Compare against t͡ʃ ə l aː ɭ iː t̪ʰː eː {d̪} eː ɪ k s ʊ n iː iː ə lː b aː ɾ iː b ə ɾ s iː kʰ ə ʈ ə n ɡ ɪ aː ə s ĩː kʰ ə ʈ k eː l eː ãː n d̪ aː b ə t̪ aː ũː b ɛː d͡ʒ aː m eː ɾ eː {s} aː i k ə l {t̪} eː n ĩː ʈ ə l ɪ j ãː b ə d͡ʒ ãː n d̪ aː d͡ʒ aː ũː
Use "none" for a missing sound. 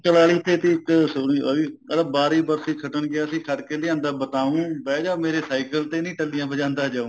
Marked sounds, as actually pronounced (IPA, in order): t̪, s, t̪

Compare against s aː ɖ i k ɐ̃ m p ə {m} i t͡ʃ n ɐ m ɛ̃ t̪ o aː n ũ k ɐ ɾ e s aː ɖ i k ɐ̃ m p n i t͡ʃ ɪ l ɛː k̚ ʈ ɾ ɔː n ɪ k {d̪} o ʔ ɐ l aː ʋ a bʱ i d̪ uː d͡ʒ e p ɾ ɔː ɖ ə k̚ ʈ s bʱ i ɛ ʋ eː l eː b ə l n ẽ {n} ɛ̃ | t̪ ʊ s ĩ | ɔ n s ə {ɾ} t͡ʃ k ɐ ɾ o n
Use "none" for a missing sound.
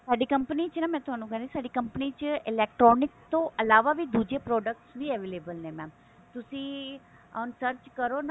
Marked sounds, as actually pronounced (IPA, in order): n, t̪, m, ɾ

